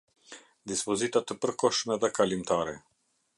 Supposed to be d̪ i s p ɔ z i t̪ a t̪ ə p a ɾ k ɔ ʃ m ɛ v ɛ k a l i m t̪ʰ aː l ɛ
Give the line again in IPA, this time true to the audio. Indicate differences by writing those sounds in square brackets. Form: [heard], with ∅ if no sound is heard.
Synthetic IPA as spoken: d̪ i s p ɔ z i t̪ a t̪ ə p [ə] ɾ k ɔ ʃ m ɛ [ð] ɛ k a l i m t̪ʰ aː [ɾ] ɛ